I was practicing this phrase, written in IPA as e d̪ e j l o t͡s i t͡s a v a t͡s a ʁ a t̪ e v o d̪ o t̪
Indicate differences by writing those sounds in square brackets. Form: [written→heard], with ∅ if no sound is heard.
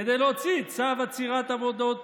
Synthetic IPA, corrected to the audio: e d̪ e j l o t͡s i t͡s a v a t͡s [a→i] ʁ a t̪ [e→a] v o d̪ o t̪